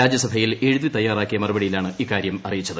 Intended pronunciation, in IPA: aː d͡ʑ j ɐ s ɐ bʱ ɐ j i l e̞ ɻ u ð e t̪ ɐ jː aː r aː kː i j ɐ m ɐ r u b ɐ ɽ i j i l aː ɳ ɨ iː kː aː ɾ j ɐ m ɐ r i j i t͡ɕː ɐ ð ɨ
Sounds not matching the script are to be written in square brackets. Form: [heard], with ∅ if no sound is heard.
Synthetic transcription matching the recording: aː d͡ʑ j ɐ s ɐ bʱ ɐ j i l e̞ ɻ u ð [i] t̪ ɐ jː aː r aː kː i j ɐ m ɐ r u b ɐ ɽ i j i l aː ɳ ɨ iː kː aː ɾ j ɐ m ɐ r i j i t͡ɕː ɐ ð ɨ